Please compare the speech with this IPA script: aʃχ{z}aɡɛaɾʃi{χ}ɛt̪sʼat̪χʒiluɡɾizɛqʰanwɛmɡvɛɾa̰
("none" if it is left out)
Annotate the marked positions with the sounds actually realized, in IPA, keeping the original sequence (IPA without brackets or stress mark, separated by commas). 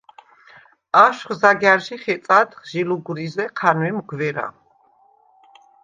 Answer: z, χ